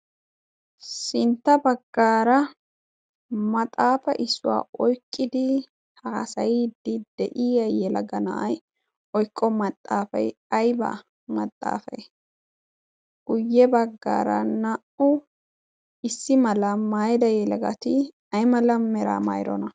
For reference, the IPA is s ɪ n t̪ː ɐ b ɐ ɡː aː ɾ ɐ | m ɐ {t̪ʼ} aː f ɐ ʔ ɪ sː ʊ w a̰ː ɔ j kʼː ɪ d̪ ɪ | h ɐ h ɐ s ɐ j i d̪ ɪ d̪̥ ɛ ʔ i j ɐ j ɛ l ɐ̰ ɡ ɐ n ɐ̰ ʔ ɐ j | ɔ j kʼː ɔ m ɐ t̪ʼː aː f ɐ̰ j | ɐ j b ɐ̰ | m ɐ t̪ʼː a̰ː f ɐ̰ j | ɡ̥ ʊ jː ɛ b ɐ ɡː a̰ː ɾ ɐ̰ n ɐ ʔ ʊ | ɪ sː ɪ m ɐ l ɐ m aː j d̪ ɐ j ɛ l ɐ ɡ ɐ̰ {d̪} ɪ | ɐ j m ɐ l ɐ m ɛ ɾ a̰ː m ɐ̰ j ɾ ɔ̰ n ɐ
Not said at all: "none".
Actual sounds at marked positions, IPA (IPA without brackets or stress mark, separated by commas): t̪ʼ, t̪